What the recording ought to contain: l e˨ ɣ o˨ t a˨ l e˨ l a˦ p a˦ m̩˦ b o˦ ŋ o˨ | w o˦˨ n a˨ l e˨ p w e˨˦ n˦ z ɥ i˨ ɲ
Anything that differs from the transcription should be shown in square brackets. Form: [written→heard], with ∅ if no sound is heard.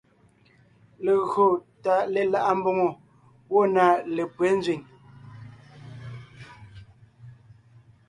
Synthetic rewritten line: l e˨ ɣ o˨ t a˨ l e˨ l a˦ [p→ʔ] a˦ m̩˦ b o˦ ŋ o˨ | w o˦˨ n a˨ l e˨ p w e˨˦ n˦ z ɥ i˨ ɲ